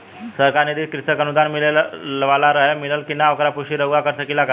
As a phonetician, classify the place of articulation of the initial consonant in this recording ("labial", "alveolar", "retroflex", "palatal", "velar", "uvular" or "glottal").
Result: alveolar